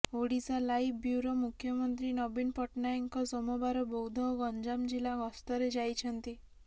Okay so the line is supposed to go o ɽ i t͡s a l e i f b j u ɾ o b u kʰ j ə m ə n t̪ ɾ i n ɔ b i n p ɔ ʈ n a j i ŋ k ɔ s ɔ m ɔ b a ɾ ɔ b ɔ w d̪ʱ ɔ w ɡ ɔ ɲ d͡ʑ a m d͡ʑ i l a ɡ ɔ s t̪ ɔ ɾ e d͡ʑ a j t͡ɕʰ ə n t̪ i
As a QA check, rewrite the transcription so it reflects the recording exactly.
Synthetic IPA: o ɽ i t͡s a l a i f b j u ɾ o m u kʰ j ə m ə n t̪ ɾ i n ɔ b i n p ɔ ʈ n a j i ŋ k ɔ s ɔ m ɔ b a ɾ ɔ b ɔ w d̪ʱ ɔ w ɡ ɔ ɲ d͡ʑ a m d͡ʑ i l a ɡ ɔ s t̪ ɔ ɾ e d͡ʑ a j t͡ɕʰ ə n t̪ i